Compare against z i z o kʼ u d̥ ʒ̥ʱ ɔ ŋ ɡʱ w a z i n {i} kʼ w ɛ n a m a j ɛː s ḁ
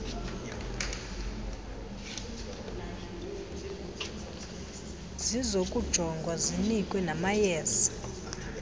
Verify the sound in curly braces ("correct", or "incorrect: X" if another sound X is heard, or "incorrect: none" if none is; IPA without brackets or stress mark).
correct